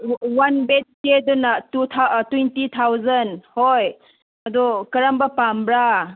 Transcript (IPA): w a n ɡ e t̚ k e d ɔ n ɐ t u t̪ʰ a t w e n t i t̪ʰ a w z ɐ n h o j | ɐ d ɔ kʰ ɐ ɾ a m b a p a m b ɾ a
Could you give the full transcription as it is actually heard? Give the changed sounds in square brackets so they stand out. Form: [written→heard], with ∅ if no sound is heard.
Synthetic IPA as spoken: w a n [ɡ→b] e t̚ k e d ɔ n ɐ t u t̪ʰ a t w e n t i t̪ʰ a w z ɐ n h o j | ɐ d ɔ [kʰ→k] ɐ ɾ a m b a p a m b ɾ a